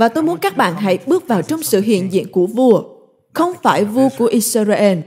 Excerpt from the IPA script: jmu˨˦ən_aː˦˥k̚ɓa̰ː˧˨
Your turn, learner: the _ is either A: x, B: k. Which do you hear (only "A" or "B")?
B